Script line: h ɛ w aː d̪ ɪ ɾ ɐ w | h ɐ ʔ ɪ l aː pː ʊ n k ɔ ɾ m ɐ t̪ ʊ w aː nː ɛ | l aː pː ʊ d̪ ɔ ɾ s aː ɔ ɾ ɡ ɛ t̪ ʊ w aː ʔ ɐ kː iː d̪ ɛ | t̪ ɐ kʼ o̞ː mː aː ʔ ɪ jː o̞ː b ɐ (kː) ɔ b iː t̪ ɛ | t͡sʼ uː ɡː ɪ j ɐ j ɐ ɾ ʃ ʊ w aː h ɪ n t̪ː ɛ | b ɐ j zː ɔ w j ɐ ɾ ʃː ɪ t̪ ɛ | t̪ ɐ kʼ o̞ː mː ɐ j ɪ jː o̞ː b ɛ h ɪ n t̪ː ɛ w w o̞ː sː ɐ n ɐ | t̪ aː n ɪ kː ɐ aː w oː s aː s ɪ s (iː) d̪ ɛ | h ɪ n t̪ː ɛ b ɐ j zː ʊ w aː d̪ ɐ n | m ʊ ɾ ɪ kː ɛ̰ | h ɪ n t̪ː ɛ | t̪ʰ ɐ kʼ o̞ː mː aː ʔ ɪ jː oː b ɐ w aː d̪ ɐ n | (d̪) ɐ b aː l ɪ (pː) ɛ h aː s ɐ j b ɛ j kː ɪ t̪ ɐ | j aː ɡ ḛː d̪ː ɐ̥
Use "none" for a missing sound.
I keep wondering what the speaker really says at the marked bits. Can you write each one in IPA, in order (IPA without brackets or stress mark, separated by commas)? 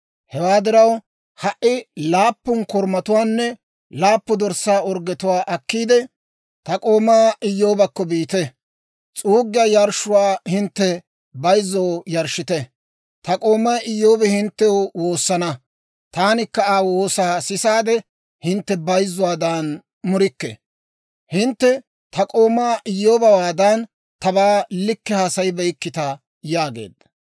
kː, aː, t̪, kː